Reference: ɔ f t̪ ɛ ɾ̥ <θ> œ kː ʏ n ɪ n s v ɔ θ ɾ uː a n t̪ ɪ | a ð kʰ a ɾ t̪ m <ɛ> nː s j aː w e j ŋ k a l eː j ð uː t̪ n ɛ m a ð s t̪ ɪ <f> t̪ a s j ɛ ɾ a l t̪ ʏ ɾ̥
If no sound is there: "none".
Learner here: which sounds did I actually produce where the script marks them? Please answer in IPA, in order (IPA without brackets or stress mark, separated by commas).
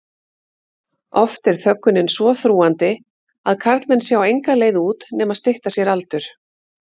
θ, ɛ, h